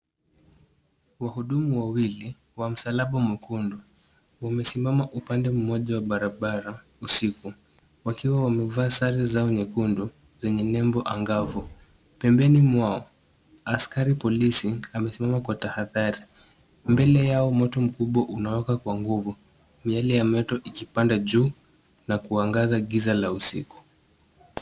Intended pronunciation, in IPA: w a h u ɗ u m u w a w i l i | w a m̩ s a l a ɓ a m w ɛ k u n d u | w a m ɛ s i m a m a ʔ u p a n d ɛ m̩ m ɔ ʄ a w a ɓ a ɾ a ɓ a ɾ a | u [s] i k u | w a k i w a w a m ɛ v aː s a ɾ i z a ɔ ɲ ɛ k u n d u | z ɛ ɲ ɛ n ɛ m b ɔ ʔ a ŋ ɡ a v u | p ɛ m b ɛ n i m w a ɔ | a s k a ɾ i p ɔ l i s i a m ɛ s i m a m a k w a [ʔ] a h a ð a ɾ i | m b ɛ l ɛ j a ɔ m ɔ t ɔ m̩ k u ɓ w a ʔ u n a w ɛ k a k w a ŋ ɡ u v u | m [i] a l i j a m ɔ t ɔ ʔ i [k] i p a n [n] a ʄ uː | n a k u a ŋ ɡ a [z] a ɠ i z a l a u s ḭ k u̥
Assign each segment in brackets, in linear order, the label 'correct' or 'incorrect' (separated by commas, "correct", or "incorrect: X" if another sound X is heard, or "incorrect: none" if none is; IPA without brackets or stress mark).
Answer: correct, incorrect: t, correct, correct, incorrect: d, correct